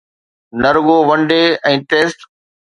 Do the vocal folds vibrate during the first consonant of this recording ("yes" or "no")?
yes